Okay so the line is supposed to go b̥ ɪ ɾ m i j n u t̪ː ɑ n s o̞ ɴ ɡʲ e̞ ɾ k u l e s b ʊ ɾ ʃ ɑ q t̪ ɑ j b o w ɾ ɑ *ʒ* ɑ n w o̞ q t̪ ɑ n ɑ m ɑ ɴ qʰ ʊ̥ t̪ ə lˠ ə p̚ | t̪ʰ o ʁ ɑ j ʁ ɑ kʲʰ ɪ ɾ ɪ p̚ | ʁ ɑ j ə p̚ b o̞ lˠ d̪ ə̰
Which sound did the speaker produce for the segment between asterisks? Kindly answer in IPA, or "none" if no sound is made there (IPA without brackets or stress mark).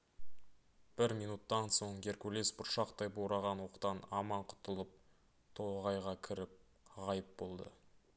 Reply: ʁ